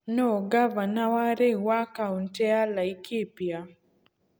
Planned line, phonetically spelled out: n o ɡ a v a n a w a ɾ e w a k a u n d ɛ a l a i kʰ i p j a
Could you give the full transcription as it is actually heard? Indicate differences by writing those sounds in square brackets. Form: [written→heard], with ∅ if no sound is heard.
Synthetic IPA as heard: n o ɡ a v a n a w a ɾ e w a k a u n [d→t] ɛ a l a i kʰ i p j a